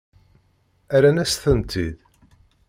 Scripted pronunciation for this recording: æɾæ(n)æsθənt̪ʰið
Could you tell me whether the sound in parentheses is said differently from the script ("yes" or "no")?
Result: no